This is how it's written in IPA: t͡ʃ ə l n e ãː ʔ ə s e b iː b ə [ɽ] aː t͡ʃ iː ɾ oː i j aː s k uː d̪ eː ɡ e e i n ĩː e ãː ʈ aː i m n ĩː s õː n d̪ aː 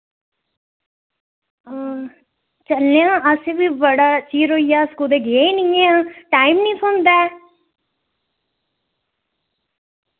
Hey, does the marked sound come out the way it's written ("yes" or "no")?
yes